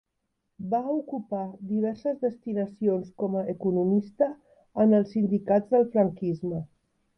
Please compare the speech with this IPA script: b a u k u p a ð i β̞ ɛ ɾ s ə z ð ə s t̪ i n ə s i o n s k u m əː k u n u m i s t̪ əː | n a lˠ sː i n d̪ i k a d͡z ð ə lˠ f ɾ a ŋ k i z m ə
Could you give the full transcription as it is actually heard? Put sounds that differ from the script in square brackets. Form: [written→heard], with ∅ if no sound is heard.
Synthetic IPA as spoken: b a u k u p a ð i β̞ ɛ ɾ s ə z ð ə s t̪ i n ə s i o n s k [u→ɔ] m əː k u n u m i s t̪ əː | n [a→ə] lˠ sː i n d̪ i k a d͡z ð ə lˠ f ɾ [a→ə] ŋ k i z m ə